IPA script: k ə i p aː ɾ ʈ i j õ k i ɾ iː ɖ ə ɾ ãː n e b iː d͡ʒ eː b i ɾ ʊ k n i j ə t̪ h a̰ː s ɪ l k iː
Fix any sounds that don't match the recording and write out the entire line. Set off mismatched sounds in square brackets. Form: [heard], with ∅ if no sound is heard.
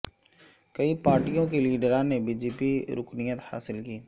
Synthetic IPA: k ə i p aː ɾ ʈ i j õ k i [l] iː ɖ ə ɾ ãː n e b iː d͡ʒ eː [p] i ɾ ʊ k n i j ə t̪ h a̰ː s ɪ l k iː